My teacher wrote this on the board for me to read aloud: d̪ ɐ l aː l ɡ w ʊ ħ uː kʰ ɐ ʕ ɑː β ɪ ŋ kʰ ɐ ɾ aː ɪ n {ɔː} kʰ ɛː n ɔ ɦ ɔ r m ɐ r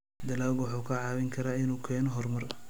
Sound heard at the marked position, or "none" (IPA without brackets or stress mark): uː